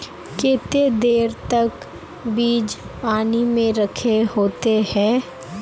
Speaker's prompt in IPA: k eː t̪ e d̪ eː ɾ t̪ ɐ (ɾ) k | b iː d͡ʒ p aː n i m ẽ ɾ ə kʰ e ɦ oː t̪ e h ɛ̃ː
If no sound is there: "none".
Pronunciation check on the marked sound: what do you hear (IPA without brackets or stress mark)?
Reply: none